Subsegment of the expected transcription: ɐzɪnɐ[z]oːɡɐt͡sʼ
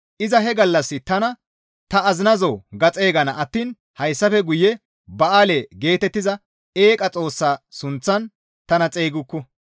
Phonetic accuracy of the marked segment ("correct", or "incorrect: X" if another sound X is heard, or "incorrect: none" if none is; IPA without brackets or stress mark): correct